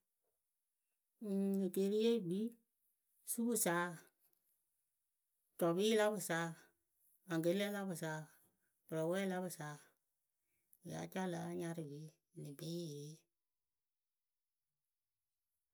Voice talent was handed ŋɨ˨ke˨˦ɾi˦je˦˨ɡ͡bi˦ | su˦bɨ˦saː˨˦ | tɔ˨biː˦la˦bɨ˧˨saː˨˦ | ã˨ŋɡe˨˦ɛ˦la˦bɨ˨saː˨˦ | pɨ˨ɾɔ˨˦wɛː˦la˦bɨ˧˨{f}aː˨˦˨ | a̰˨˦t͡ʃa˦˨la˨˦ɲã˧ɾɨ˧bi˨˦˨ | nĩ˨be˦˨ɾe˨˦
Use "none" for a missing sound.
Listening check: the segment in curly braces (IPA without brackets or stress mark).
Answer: s